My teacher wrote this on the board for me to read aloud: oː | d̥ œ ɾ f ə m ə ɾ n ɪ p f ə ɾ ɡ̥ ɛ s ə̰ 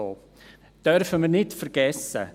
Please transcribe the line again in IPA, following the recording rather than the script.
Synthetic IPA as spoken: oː | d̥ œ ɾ f ə m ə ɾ n ɪ t f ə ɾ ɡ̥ ɛ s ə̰